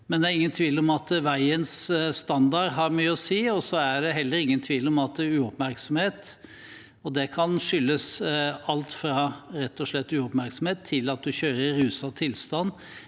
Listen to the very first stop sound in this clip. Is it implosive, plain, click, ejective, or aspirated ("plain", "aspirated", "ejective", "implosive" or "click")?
plain